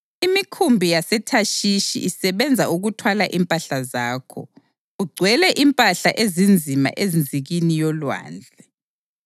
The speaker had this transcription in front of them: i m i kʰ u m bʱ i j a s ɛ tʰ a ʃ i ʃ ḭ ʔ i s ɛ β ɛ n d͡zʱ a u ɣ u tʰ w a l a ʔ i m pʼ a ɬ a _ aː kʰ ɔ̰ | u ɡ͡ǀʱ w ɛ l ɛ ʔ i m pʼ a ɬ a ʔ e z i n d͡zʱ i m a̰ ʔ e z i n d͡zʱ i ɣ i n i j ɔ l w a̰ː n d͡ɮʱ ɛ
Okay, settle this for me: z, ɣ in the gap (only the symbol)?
z